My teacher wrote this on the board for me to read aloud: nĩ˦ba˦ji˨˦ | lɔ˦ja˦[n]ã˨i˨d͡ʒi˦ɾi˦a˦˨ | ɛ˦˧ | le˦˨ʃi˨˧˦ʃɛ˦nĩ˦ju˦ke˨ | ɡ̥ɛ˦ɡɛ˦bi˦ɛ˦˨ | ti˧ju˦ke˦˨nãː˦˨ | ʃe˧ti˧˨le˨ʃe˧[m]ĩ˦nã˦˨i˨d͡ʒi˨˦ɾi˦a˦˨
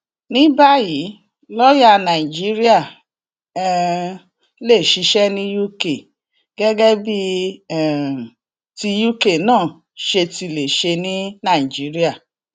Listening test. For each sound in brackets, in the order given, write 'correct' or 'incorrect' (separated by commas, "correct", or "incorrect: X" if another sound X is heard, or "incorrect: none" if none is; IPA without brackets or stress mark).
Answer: correct, incorrect: n